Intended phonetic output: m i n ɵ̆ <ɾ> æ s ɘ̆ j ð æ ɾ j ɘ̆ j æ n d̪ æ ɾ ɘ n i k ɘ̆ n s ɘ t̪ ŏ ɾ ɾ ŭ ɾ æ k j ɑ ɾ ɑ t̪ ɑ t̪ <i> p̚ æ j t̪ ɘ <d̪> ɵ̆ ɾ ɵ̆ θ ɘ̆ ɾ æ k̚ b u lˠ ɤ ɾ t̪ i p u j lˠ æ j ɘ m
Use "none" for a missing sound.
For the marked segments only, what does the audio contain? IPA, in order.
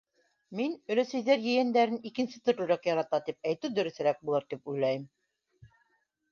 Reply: l, i, d̪

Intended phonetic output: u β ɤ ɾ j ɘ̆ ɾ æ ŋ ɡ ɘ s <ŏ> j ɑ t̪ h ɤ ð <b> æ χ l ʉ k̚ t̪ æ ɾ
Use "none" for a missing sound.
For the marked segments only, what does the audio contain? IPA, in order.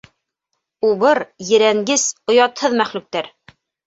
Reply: ŏ, m

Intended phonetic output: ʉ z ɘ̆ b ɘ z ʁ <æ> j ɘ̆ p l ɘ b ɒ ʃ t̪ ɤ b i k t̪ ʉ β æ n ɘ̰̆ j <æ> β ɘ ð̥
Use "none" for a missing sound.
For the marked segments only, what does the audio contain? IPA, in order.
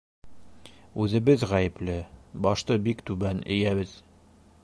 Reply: æ, æ

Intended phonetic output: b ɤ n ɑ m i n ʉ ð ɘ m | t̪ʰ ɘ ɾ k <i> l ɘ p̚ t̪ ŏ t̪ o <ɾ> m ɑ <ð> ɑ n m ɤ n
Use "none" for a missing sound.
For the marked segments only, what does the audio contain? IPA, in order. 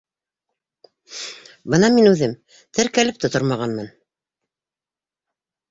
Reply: æ, ɾ, ʁ

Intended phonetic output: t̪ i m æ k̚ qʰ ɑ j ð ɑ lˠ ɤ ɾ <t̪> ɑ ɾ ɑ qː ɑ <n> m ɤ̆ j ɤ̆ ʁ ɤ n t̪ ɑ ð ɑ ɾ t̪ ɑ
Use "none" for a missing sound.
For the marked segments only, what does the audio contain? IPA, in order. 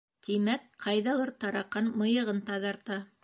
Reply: t̪, n

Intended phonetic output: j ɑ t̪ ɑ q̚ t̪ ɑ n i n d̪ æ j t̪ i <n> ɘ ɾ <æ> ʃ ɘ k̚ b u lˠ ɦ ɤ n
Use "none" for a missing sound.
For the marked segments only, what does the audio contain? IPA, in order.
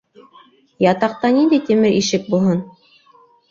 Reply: m, i

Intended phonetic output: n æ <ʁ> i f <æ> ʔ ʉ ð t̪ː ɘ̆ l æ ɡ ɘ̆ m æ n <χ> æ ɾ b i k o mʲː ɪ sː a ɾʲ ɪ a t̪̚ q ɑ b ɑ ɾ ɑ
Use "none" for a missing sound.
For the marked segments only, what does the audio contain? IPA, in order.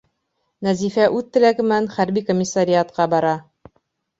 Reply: z, æ, χ

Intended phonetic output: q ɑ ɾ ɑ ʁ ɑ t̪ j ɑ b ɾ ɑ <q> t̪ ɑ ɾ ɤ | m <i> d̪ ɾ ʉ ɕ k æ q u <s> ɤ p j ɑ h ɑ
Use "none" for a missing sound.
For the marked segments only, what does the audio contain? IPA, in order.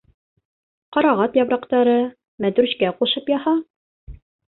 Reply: q, æ, ʃ

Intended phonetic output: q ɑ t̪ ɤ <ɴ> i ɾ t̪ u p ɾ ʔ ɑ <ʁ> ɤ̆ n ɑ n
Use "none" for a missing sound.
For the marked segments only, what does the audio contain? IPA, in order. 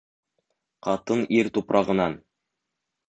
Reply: n, ʁ

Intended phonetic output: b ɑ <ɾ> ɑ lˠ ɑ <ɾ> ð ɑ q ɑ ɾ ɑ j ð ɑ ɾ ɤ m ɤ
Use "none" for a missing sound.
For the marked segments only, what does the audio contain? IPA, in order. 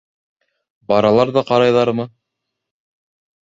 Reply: ɾ, ɾ

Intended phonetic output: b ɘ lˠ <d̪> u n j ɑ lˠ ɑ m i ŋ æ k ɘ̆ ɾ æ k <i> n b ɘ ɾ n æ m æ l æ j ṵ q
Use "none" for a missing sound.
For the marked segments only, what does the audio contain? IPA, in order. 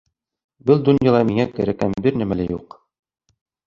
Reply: d̪, æ

